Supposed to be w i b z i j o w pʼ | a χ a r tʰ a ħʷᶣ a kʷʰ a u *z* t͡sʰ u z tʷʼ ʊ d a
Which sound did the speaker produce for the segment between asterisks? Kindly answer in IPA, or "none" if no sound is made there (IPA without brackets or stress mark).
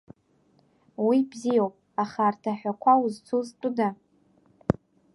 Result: z